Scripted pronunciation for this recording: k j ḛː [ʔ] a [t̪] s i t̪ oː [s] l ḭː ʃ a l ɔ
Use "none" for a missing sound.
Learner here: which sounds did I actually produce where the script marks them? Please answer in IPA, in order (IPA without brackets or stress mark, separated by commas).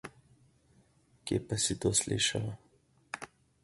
p, none, s